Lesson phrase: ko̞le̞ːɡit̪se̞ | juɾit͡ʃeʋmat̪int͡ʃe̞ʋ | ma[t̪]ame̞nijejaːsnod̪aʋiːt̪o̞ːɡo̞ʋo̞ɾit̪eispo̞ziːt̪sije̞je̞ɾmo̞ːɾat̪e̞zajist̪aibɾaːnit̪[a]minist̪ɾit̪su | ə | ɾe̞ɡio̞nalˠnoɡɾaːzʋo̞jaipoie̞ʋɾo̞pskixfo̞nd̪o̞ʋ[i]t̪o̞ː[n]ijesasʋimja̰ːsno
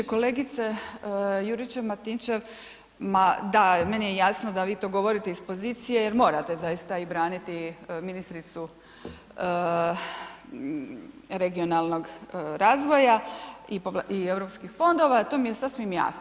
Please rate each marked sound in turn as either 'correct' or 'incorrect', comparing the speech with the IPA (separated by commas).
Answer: incorrect, incorrect, incorrect, incorrect